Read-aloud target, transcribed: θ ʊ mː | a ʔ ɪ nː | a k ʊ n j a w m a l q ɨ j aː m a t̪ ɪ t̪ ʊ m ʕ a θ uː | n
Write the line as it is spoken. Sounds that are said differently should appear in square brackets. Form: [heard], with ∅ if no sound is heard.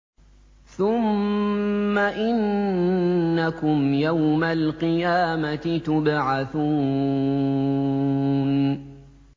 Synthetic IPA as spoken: θ ʊ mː | a ʔ ɪ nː | a k ʊ [m] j a w m a l q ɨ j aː m a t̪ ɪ t̪ ʊ [b] ʕ a θ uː | n